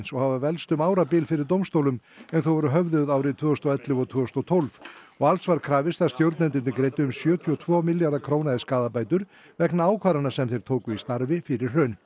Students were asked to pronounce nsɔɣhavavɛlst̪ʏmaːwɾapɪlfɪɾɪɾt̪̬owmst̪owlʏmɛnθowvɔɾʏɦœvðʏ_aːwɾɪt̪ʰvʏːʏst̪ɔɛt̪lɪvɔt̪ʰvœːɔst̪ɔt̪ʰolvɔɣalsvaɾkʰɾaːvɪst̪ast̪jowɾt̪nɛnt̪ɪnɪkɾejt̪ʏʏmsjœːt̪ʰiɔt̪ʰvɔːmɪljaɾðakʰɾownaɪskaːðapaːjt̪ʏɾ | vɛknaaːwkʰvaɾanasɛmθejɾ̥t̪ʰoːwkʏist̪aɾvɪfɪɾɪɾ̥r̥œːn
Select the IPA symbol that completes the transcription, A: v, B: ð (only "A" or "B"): B